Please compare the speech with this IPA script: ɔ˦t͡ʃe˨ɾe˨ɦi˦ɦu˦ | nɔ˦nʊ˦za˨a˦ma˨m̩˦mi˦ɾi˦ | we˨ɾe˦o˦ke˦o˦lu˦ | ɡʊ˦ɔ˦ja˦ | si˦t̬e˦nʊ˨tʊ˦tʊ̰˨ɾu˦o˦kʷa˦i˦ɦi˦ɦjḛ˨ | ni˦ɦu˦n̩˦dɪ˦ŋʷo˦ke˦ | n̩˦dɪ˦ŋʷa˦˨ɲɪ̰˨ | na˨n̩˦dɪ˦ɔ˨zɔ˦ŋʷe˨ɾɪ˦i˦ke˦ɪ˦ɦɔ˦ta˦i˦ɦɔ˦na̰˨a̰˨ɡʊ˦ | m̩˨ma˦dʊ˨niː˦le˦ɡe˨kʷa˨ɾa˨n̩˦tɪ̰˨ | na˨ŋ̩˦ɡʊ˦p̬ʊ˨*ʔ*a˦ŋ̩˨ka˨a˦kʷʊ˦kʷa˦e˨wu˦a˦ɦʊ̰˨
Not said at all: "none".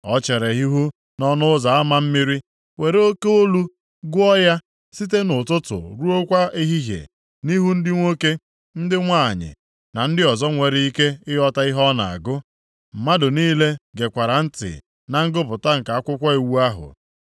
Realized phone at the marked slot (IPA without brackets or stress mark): t